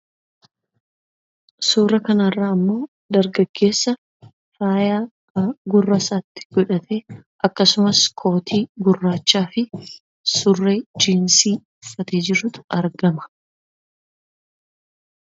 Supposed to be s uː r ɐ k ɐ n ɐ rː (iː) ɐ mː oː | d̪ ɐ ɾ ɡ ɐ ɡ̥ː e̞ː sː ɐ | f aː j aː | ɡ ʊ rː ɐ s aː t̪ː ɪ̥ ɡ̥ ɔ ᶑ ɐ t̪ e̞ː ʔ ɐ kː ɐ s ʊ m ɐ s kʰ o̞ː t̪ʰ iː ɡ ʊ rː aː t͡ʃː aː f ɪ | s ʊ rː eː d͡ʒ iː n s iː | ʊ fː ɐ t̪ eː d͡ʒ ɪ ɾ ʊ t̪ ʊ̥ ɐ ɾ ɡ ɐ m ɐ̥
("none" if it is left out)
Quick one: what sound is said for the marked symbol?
aː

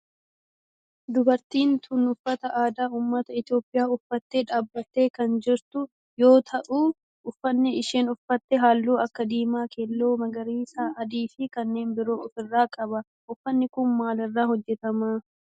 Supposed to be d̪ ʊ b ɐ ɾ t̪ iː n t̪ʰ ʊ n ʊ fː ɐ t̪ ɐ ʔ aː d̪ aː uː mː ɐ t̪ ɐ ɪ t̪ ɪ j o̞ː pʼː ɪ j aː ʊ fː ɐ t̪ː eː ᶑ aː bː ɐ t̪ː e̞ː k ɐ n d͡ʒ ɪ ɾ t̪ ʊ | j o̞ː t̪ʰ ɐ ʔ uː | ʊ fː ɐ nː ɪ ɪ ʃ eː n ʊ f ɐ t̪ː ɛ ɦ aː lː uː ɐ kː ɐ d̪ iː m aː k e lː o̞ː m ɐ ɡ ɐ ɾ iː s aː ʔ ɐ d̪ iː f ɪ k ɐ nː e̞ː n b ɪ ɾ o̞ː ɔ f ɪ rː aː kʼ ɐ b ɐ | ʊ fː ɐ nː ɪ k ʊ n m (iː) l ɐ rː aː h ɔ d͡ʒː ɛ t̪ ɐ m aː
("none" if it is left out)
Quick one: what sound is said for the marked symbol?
aː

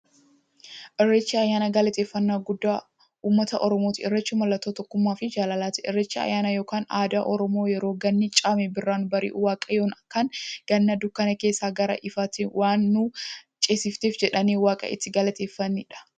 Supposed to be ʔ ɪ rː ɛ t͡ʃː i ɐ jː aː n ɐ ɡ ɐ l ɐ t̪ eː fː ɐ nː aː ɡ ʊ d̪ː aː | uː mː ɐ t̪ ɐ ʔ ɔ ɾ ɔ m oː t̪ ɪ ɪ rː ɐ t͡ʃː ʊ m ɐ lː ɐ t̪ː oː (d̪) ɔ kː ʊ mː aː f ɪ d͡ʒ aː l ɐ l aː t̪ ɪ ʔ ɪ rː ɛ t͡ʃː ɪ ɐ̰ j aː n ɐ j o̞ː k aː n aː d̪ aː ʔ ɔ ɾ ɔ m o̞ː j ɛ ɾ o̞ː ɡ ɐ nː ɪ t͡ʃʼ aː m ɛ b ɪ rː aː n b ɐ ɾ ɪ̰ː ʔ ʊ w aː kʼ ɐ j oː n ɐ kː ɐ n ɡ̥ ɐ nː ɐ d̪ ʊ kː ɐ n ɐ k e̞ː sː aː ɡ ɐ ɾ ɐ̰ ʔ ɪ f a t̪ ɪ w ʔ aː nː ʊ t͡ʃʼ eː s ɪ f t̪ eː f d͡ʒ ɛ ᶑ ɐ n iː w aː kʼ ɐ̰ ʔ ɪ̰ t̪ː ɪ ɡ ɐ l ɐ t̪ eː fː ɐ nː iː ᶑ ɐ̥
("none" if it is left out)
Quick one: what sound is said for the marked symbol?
t̪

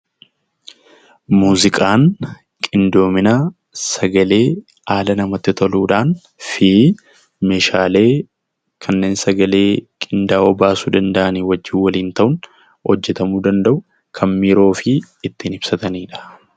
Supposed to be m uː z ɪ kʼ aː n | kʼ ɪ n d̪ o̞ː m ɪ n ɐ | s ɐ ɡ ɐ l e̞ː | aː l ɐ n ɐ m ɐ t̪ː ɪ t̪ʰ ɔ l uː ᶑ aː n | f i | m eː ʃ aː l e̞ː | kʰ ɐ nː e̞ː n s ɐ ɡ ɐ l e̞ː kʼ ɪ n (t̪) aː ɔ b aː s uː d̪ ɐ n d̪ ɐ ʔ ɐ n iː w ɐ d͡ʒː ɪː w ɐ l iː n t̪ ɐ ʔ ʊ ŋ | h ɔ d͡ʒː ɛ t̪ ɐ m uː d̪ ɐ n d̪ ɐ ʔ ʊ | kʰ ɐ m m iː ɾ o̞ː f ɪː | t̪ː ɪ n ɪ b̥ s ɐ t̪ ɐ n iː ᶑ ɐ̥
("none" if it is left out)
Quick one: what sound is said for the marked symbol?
d̪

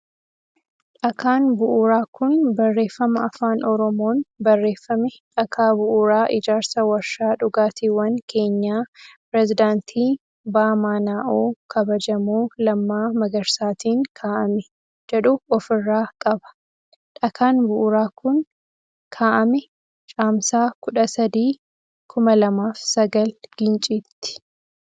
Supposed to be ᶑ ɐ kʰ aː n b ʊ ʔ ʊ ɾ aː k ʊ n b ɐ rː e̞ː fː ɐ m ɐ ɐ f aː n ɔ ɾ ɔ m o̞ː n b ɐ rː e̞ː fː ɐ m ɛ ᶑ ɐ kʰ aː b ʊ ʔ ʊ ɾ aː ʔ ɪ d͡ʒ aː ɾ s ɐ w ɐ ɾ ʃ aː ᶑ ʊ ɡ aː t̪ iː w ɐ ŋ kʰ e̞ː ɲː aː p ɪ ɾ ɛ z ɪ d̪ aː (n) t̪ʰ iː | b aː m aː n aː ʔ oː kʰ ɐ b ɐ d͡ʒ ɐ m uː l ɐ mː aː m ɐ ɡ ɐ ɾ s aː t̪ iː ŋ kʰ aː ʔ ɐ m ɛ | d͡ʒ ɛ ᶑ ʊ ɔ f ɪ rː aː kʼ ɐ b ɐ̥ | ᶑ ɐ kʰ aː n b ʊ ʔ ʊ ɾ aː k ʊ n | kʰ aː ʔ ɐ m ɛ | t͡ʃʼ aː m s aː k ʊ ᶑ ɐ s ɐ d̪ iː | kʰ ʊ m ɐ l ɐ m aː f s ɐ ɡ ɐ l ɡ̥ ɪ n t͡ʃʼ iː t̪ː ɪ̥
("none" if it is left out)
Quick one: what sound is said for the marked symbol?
n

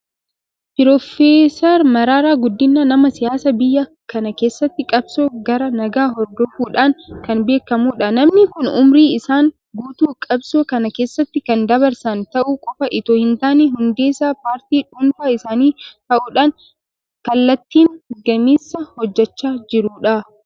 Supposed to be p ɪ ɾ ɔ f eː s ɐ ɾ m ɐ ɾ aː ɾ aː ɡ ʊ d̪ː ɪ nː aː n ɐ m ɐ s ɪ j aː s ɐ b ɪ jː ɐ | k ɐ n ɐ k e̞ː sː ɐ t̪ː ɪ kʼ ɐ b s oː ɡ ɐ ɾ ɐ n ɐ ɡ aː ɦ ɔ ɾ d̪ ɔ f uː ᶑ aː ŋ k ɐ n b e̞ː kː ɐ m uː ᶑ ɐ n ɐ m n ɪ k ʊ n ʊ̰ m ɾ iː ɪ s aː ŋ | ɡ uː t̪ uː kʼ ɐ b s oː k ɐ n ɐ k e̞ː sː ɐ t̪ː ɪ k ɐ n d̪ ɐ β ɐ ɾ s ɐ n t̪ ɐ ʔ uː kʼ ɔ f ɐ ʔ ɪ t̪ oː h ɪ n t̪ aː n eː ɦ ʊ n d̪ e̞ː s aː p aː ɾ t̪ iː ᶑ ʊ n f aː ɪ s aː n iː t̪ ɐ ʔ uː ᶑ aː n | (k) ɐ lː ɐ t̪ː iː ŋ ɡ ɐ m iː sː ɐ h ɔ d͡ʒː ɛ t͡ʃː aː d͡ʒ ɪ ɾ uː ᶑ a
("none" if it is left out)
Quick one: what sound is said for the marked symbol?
k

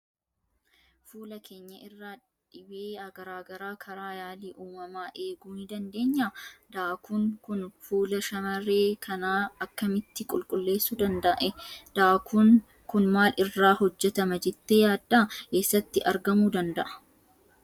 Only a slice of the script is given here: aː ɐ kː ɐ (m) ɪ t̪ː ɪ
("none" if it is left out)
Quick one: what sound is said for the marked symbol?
m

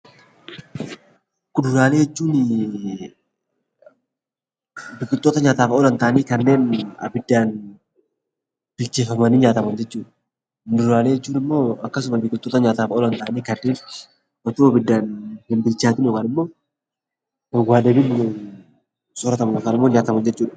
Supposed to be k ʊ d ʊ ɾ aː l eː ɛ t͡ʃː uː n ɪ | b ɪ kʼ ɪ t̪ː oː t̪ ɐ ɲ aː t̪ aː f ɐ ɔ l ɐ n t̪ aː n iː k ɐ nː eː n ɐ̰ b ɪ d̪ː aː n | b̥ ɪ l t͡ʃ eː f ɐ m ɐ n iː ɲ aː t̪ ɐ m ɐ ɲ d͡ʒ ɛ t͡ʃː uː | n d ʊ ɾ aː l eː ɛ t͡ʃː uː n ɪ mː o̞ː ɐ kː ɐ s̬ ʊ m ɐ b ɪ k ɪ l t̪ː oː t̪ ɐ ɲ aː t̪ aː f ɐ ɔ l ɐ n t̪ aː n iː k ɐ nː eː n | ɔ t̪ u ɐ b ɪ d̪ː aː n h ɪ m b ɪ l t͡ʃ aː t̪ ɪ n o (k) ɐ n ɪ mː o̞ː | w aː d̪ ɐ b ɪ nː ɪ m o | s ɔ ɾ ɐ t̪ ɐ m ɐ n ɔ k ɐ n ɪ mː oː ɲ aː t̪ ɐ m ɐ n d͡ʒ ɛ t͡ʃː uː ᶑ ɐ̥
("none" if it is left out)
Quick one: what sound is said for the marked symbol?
k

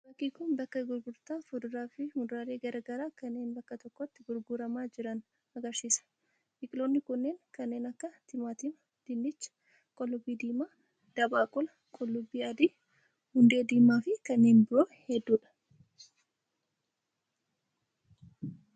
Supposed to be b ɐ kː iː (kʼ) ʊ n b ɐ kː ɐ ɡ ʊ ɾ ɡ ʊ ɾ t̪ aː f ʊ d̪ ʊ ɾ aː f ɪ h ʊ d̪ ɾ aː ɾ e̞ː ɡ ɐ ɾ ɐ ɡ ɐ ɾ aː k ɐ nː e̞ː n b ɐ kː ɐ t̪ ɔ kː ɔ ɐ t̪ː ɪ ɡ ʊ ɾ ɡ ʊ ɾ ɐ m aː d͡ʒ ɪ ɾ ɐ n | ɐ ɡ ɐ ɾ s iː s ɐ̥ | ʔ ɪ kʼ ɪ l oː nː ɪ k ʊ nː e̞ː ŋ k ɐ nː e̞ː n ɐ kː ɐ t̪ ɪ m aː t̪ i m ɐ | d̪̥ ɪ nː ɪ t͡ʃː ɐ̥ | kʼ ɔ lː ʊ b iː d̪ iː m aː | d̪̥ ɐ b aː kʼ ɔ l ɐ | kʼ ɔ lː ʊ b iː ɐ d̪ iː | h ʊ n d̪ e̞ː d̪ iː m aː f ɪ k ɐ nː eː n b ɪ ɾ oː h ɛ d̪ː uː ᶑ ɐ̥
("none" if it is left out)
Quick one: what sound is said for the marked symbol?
k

